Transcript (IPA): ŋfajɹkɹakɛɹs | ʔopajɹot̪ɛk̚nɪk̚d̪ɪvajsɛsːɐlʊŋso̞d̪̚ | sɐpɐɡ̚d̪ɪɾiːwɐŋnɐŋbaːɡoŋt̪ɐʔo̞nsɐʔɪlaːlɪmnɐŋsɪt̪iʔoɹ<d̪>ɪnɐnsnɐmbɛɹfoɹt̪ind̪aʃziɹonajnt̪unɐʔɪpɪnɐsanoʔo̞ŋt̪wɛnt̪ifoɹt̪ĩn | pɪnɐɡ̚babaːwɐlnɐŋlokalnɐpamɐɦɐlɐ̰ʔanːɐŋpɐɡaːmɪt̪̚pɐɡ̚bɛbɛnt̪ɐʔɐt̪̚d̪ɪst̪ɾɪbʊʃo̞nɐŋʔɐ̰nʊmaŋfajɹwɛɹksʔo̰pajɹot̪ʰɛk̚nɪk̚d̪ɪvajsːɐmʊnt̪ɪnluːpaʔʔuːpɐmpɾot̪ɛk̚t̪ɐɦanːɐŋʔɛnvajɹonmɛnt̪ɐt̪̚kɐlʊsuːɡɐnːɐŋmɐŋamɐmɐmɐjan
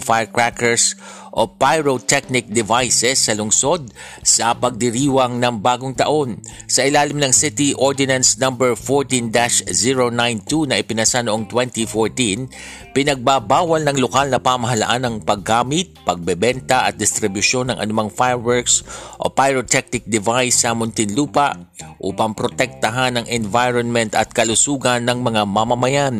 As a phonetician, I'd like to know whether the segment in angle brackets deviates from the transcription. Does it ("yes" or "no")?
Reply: no